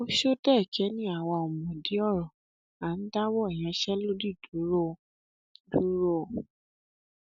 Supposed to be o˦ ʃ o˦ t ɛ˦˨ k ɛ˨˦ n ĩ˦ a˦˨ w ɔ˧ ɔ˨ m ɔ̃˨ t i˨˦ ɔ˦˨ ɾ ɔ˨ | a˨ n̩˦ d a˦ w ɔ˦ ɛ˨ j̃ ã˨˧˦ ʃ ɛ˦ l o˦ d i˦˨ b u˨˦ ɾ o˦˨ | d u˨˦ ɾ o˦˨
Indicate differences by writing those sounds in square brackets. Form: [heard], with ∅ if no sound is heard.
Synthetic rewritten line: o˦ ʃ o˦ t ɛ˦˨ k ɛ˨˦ n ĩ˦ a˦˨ w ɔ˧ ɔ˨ m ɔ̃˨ [d] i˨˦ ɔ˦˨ ɾ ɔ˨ | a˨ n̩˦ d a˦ w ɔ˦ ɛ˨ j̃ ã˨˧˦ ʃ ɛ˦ l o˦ d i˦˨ [d] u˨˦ ɾ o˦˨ | d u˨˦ ɾ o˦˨